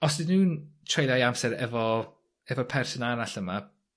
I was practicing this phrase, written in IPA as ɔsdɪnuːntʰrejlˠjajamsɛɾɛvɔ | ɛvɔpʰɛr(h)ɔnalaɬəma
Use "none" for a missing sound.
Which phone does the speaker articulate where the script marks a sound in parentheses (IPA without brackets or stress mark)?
s